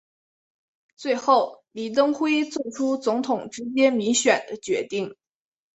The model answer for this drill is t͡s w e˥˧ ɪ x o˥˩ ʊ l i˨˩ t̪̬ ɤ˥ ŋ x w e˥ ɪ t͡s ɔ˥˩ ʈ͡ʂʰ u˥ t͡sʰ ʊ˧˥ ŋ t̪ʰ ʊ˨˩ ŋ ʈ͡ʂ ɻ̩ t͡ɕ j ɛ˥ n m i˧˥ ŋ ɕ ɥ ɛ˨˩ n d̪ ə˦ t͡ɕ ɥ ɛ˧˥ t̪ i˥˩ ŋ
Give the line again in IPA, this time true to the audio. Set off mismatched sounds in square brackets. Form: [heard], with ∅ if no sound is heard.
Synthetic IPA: t͡s w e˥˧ ɪ x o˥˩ ʊ l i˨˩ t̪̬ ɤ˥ ŋ x w e˥ ɪ t͡s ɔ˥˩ ʈ͡ʂʰ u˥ [t͡s] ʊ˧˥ ŋ t̪ʰ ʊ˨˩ ŋ ʈ͡ʂ ɻ̩ t͡ɕ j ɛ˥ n m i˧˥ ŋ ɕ ɥ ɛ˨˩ n d̪ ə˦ t͡ɕ ɥ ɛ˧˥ t̪ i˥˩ ŋ